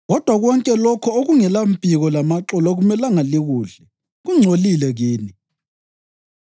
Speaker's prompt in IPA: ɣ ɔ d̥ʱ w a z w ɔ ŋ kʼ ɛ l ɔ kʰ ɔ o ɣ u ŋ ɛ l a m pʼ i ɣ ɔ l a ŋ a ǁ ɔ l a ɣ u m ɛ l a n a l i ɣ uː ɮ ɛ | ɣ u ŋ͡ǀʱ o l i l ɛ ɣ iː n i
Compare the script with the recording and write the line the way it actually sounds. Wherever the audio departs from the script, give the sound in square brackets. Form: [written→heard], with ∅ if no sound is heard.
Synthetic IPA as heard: ɣ ɔ d̥ʱ w a [z→ɣ] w ɔ ŋ kʼ ɛ l ɔ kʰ ɔ o ɣ u ŋ ɛ l a m pʼ i ɣ ɔ l a [ŋ→m] a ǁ ɔ l a ɣ u m ɛ l a [n→ŋ] a l i ɣ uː ɮ ɛ | ɣ u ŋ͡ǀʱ o l i l ɛ ɣ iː n i